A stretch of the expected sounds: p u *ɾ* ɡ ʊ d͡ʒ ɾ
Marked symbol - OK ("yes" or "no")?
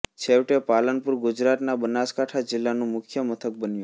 yes